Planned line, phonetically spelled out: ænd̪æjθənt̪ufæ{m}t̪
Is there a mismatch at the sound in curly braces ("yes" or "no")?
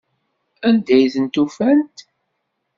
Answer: yes